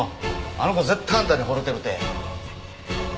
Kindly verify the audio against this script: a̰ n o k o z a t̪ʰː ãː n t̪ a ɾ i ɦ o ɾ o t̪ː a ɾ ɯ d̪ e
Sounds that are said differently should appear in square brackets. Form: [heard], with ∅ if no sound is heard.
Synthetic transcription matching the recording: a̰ n o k o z [e] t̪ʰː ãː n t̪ a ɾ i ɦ o ɾ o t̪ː [e] ɾ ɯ [t̪] e